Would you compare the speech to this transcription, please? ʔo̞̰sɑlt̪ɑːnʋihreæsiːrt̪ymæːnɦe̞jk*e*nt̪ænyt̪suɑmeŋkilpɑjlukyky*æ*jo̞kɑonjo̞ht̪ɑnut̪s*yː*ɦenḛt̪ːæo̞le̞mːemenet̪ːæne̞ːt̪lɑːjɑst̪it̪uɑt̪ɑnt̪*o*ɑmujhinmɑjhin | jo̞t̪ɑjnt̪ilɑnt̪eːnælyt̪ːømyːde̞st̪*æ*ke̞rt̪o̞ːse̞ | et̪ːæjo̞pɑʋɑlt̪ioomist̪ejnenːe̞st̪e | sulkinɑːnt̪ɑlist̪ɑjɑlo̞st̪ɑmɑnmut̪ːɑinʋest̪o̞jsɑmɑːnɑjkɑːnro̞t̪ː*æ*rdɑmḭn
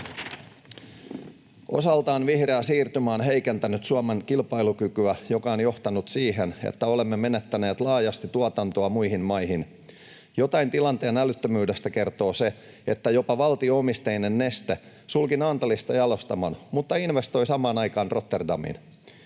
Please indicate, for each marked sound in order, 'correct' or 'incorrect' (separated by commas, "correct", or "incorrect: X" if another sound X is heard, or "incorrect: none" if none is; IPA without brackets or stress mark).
correct, correct, incorrect: iː, correct, correct, incorrect: e